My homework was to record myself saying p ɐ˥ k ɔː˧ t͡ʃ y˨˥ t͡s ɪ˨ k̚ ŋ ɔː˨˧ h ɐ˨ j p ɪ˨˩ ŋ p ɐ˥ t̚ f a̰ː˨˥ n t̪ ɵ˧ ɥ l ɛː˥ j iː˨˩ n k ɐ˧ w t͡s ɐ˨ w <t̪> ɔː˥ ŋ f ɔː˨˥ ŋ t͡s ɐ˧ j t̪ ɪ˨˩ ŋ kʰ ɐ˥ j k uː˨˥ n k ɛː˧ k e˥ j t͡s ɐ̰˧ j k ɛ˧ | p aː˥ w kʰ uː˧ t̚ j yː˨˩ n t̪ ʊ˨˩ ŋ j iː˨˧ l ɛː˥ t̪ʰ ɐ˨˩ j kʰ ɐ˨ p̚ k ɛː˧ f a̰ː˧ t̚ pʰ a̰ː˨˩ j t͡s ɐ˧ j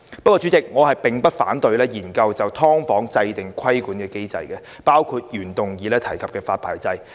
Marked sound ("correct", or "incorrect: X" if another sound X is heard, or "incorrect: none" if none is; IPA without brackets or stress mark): incorrect: t̪ʰ